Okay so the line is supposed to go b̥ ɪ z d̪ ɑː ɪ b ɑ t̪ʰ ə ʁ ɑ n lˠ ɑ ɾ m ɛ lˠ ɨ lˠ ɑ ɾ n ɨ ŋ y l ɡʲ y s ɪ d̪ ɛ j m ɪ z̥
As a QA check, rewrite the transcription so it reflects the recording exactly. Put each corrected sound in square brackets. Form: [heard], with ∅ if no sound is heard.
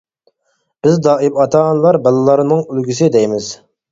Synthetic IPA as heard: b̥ ɪ z d̪ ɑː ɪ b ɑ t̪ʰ [ɑ] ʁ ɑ n lˠ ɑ ɾ [b] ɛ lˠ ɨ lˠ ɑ ɾ n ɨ ŋ y l ɡʲ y s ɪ d̪ ɛ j m ɪ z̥